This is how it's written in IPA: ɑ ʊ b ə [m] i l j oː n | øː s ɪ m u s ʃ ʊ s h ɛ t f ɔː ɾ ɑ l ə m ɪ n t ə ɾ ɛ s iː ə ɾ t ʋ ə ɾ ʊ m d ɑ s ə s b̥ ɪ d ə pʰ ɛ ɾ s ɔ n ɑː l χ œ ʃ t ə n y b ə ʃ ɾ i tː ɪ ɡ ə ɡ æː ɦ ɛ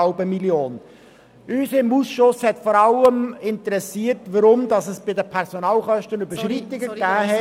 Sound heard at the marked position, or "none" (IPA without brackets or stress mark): m